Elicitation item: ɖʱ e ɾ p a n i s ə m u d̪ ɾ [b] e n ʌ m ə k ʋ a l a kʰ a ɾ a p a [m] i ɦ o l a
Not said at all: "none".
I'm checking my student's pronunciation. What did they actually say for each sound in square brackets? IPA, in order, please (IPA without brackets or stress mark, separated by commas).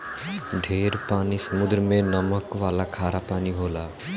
m, n